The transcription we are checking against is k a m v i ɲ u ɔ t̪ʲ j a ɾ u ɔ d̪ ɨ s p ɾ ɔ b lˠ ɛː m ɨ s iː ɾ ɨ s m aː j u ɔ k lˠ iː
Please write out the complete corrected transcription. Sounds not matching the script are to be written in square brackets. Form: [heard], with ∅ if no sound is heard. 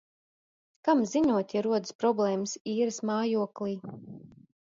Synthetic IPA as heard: k a m [z] i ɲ u ɔ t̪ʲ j a ɾ u ɔ d̪ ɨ s p ɾ ɔ b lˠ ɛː m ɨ s iː ɾ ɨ s m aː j u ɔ k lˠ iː